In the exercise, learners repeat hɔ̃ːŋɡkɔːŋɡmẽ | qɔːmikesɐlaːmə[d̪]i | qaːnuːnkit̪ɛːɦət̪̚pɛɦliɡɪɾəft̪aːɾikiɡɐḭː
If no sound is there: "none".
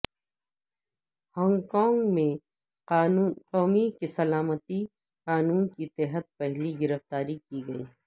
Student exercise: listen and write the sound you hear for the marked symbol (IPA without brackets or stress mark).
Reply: t̪